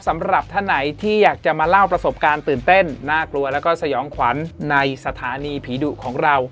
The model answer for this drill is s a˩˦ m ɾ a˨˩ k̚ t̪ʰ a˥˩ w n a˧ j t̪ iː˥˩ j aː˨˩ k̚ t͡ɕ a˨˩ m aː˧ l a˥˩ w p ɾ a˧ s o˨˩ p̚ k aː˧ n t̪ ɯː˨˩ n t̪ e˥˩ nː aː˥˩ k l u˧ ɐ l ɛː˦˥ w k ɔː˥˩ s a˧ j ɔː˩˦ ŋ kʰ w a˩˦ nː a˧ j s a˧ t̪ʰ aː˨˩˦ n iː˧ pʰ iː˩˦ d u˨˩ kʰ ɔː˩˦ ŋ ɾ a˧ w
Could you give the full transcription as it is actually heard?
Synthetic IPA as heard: s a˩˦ m ɾ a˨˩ p̚ t̪ʰ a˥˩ w n a˩˦ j t̪ʰ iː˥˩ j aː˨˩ k̚ t͡ɕ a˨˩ m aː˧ l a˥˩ w p ɾ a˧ s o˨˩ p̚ k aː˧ n t̪ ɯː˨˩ n t̪ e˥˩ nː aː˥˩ k l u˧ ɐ l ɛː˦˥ w k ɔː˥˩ s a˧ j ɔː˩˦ ŋ kʰ w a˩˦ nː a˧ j s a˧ t̪ʰ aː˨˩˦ n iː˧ pʰ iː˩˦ d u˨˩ kʰ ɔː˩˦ ŋ ɾ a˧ w